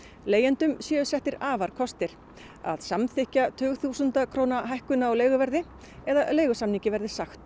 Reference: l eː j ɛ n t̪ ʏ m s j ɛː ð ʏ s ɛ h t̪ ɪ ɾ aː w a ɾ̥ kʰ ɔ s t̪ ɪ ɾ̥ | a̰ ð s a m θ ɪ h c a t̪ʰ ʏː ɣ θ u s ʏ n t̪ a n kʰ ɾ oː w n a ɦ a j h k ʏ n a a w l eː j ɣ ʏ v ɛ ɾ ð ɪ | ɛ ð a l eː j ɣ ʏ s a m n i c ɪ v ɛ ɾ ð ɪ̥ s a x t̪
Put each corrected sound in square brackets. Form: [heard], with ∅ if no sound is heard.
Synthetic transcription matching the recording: l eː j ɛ n t̪ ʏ m s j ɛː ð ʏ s ɛ h t̪ ɪ ɾ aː [v] a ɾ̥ kʰ ɔ s t̪ ɪ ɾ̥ | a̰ ð s a m θ ɪ h c a t̪ʰ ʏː ɣ θ u s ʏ n t̪ a [∅] kʰ ɾ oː w n a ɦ a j h k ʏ n a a w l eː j ɣ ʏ v ɛ ɾ ð ɪ | ɛ ð a l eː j ɣ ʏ s a m n i c ɪ v ɛ ɾ ð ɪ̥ s a x t̪

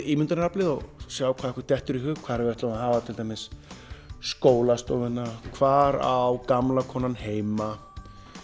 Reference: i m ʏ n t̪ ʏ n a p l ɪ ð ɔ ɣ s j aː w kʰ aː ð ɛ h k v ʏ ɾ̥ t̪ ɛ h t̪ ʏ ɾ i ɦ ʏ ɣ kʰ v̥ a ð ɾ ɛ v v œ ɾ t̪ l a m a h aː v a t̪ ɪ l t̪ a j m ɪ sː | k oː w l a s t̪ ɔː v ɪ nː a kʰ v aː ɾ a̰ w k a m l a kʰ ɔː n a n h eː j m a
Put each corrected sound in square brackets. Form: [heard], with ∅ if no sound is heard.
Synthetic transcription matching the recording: i m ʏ n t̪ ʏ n a p l ɪ ð ɔ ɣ s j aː w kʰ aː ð ɛ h k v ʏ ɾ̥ t̪ ɛ h t̪ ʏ ɾ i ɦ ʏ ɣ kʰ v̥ a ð ɾ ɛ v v [ɛ] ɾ t̪ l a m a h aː v a [t̪ʰ] ɪ l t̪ a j m ɪ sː | k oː w l a s t̪ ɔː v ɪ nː a kʰ v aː ɾ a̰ w k a m l a kʰ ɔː n a n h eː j m a

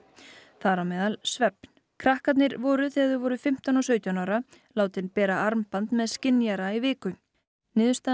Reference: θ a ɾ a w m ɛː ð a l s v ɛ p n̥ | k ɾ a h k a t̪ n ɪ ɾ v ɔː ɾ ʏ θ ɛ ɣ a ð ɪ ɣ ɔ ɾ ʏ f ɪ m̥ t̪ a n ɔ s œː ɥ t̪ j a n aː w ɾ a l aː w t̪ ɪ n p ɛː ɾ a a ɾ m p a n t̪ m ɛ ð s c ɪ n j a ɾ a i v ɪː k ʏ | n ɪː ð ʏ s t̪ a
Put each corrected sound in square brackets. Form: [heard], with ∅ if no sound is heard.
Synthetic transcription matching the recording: θ a ɾ a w m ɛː ð a l s v ɛ p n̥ | [kʰ] ɾ a h k a t̪ n ɪ ɾ v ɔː ɾ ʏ θ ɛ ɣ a ð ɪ [v] ɔ ɾ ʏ f ɪ m̥ t̪ a n ɔ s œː ɥ t̪ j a n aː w ɾ a l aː w t̪ ɪ n p ɛː ɾ a a ɾ m p a n t̪ m ɛ ð s c ɪ n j a ɾ a i v ɪː k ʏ | n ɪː ð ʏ s t̪ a

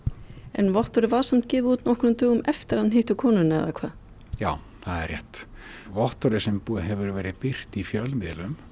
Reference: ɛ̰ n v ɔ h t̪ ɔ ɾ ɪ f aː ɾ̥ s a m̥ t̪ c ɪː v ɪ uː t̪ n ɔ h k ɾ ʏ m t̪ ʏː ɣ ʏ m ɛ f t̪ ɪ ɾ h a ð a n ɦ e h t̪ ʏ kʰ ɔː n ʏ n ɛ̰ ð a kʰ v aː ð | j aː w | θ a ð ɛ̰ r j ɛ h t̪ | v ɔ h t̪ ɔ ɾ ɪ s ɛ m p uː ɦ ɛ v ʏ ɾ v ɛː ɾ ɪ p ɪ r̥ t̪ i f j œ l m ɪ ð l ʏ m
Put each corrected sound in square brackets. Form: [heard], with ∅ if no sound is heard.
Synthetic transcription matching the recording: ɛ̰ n v ɔ h t̪ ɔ ɾ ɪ [v] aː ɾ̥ s a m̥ t̪ c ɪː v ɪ uː t̪ n ɔ h k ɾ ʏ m t̪ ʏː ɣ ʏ m ɛ f t̪ ɪ ɾ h a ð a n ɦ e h t̪ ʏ kʰ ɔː n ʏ n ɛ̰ ð a kʰ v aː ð | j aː w | θ a ð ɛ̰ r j ɛ h t̪ | v ɔ h t̪ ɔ ɾ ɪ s ɛ m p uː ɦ ɛ v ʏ ɾ v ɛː ɾ ɪ p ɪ r̥ t̪ i f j œ l m ɪ ð l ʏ m

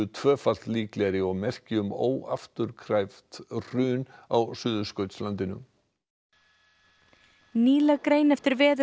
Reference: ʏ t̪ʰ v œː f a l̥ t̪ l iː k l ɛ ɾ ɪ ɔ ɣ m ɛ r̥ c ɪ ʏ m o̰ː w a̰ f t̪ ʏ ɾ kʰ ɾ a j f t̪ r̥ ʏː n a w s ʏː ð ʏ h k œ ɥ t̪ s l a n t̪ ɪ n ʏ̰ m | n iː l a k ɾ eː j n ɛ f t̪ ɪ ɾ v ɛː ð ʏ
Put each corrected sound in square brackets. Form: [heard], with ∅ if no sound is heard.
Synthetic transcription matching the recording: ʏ t̪ʰ v œː f a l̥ t̪ l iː k l ɛ ɾ ɪ ɔ ɣ m ɛ r̥ c ɪ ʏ m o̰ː w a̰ f t̪ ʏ ɾ kʰ ɾ a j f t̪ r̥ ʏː n a w s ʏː ð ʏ [s] k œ ɥ t̪ s l a n t̪ ɪ n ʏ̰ m | n iː l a k ɾ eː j n ɛ f t̪ ɪ ɾ v ɛː ð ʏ

